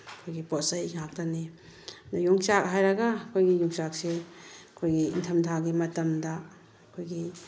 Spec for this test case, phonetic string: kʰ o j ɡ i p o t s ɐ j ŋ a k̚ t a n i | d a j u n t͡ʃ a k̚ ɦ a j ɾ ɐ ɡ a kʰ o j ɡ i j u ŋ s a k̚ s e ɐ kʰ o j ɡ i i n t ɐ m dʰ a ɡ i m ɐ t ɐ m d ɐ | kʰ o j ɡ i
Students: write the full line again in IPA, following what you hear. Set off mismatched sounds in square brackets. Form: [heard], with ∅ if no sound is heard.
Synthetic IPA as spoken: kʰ o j ɡ i p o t s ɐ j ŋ a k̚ t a n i | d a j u [ŋ] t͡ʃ a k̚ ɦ a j ɾ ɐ ɡ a kʰ o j ɡ i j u ŋ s a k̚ s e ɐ kʰ o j ɡ i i n [tʰ] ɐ m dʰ a ɡ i m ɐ t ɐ m d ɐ | kʰ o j ɡ i

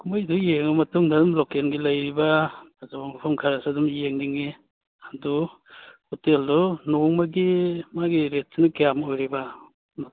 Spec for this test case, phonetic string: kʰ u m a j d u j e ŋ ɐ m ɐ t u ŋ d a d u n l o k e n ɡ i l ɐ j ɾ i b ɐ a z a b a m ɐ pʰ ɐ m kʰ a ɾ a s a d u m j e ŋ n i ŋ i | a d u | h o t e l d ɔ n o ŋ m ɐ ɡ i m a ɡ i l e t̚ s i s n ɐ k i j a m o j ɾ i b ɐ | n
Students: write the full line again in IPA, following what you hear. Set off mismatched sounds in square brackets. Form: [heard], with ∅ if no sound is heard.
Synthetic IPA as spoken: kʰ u m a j d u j e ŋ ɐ m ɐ t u ŋ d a d u [m] l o k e n ɡ i l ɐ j ɾ i b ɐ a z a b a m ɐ pʰ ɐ m kʰ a ɾ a s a d u m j e ŋ n i ŋ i | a d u | h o t e l d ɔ n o ŋ m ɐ ɡ i m a ɡ i [ɾ] e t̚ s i [∅] n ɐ k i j a m o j ɾ i b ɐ | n

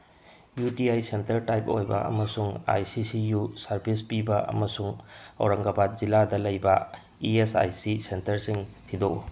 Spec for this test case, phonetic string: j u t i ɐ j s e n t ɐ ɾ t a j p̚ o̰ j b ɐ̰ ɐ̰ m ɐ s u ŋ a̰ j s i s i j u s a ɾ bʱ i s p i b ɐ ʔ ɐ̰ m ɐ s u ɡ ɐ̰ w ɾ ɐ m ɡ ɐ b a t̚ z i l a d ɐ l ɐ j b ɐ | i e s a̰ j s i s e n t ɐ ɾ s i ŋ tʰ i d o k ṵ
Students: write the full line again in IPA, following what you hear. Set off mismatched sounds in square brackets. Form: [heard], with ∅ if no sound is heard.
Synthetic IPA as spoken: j u t i [a] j s e n t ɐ ɾ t a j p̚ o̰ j b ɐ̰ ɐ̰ m ɐ s u ŋ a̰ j s i s i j u s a ɾ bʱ i s p i b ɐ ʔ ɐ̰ m ɐ s u [ŋ] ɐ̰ w ɾ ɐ [ŋ] ɡ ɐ b a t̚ z i l a d ɐ l ɐ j b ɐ | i e s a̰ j s i s e n t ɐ ɾ s i ŋ tʰ i d o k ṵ

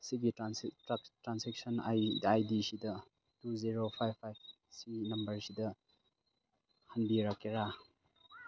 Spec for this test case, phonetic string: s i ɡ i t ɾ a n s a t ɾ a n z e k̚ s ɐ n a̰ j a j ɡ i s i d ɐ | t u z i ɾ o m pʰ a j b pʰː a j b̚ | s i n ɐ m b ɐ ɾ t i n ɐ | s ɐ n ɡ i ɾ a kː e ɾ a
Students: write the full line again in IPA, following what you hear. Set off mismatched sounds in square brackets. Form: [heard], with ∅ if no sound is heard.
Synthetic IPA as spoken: s i ɡ i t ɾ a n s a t ɾ a n [s] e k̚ s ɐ n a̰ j a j [d] i s i d ɐ | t u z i ɾ o [∅] pʰ a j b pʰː a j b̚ | s i n ɐ m b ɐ ɾ [s] i [d] ɐ | [h] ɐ n [b] i ɾ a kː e ɾ a

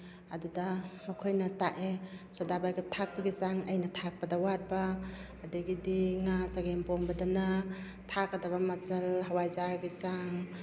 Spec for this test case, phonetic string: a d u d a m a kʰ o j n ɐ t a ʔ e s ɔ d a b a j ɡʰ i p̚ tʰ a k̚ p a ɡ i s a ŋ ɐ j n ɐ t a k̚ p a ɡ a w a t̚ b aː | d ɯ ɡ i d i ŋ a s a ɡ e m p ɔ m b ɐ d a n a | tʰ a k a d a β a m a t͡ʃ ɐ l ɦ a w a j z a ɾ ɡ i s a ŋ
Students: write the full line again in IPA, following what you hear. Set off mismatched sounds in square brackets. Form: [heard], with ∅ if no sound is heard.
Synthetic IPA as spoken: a d u d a m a kʰ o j n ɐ t a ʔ e s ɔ d a b a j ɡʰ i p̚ tʰ a k̚ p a ɡ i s a ŋ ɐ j n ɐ [tʰ] a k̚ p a [d] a w a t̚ b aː | d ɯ ɡ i d i ŋ a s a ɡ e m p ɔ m b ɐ d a n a | tʰ a k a d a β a m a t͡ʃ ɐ l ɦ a w a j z a ɾ ɡ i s a ŋ

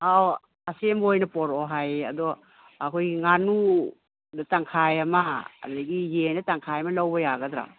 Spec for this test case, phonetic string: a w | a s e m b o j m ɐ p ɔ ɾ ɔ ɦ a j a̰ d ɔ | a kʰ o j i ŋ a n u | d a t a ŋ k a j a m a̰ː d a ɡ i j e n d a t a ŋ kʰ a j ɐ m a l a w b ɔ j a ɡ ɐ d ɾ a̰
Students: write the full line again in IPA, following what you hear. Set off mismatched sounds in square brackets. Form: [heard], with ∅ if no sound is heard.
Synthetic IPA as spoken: a w | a s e m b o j [n] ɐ p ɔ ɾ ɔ ɦ a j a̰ d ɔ | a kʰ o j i ŋ a n u | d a t a ŋ [kʰ] a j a m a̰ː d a ɡ i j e n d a t a ŋ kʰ a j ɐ m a l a w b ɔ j a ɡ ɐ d ɾ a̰

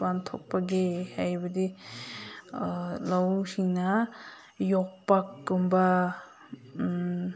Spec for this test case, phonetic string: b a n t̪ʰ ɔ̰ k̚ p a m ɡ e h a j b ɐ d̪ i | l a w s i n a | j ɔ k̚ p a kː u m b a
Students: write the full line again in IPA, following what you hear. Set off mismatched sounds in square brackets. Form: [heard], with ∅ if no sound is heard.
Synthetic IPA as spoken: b a n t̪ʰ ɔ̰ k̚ p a [∅] ɡ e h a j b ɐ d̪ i | l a w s i n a | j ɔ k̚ p a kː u m b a

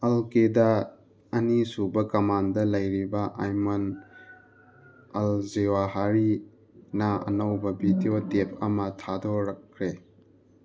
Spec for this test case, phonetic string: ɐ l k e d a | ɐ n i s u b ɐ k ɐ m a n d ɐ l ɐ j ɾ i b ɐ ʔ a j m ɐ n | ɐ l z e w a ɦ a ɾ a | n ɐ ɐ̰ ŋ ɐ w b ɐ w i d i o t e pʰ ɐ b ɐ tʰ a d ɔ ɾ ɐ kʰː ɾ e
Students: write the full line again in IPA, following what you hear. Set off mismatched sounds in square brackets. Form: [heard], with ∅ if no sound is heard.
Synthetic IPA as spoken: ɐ l k e d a | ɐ n i s u b ɐ k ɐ m a n d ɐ l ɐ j ɾ i b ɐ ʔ a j m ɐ n | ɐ l z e w a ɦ a ɾ [i] | n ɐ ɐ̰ [n] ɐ w b ɐ [b] i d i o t e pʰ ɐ [m] ɐ tʰ a d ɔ ɾ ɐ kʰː ɾ e

